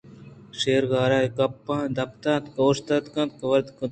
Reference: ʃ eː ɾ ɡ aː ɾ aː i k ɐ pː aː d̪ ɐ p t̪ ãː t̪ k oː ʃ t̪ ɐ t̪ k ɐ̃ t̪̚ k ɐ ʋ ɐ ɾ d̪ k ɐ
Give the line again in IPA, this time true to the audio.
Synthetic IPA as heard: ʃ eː ɾ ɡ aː ɾ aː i k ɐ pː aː d̪ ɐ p t̪ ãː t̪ k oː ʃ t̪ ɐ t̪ k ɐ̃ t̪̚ k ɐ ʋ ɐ ɾ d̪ k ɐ